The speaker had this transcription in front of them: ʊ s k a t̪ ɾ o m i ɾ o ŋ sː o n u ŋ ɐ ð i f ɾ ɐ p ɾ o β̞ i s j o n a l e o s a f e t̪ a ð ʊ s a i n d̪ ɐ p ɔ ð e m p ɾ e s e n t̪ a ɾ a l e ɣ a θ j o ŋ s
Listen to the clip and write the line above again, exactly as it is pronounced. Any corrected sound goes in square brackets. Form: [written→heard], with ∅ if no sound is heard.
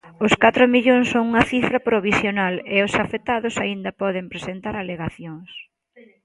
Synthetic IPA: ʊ s k a t̪ ɾ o m i [ɾ→ʎ] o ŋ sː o [n→ŋ] u ŋ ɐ [ð→θ] i f ɾ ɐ p ɾ o β̞ i s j o n a l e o s a f e t̪ a ð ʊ s a i n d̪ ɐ p ɔ ð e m p ɾ e s e n t̪ a ɾ a l e ɣ a θ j o ŋ s